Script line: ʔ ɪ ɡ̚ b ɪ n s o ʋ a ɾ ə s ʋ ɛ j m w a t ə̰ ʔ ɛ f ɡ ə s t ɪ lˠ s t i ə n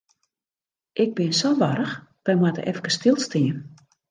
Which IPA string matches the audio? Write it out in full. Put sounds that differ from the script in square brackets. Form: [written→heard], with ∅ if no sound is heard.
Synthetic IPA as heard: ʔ ɪ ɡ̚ b ɪ n s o ʋ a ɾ ə [s→x] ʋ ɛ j m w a t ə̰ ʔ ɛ f [ɡ→k] ə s t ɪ lˠ s t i ə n